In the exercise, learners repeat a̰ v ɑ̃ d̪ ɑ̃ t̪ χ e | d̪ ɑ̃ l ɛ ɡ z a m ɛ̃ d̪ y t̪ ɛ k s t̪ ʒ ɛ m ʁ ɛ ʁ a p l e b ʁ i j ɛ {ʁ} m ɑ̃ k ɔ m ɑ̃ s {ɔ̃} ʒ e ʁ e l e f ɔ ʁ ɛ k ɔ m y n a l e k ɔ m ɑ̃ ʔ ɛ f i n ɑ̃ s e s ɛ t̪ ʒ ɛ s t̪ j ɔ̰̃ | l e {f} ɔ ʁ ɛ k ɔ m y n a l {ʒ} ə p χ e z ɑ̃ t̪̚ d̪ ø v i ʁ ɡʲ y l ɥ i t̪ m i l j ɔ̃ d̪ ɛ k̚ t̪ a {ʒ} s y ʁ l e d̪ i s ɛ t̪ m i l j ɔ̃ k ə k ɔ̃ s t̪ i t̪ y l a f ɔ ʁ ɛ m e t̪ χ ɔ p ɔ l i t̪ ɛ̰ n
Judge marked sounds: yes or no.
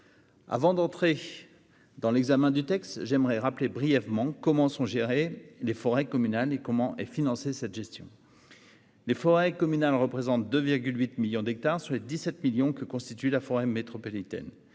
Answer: no, yes, yes, no, no

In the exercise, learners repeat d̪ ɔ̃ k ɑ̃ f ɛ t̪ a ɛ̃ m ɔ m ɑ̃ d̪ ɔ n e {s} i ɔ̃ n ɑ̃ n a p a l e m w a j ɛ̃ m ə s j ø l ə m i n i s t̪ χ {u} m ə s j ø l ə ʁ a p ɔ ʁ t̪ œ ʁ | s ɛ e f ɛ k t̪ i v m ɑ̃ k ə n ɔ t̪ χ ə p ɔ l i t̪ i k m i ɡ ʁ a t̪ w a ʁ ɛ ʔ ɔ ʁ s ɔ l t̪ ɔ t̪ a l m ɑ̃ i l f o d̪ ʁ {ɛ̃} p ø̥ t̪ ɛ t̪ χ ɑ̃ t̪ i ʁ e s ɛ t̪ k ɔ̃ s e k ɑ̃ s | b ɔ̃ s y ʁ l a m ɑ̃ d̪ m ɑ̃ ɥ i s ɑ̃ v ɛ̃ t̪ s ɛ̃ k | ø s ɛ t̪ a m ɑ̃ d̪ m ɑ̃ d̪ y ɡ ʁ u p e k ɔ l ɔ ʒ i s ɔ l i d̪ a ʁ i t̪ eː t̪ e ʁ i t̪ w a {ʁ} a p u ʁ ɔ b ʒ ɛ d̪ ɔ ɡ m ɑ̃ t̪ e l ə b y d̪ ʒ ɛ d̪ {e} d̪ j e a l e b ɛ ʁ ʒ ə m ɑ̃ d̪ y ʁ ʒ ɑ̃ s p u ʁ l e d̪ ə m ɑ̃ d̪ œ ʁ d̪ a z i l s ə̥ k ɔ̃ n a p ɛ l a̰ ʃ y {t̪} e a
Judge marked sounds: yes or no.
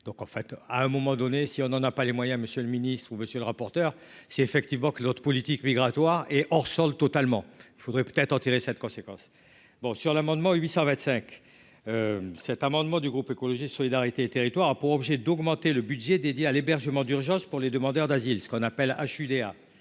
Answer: yes, yes, no, yes, yes, no

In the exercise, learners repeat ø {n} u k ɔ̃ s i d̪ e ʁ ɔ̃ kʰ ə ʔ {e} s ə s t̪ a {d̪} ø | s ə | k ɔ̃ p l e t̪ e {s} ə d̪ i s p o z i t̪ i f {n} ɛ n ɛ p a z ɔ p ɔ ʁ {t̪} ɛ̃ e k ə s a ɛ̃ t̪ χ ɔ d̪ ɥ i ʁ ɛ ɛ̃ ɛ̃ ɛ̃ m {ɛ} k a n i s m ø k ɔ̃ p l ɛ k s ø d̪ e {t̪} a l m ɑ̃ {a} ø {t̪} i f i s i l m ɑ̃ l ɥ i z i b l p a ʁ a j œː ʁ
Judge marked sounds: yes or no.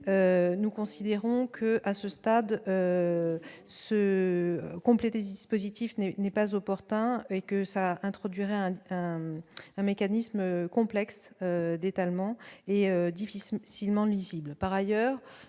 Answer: yes, no, yes, yes, yes, yes, no, yes, no, no

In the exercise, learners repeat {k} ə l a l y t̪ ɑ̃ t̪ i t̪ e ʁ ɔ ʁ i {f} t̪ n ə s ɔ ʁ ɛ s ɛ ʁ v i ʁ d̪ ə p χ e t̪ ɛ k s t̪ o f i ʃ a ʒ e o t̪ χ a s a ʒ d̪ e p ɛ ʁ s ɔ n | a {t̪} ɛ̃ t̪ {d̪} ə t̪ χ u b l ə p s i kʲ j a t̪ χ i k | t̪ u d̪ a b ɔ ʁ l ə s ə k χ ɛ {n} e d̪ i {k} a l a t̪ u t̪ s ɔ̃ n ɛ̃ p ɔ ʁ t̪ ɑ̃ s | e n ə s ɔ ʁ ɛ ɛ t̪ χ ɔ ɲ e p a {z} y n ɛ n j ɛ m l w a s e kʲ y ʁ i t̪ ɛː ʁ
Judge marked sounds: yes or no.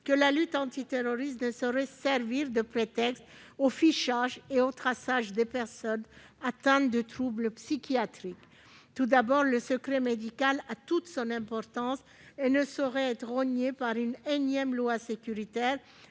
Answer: yes, no, yes, yes, no, yes, no

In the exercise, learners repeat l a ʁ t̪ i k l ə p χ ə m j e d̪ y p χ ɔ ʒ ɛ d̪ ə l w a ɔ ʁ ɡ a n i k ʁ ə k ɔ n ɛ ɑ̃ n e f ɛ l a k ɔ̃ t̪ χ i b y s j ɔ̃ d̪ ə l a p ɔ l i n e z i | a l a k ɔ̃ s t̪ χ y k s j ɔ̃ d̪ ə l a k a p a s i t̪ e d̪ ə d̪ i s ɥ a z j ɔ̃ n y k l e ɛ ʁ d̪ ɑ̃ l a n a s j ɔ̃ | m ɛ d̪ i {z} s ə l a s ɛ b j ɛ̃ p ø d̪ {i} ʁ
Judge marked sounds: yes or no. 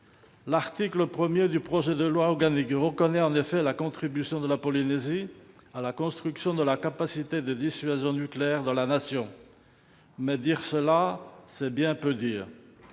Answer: no, no

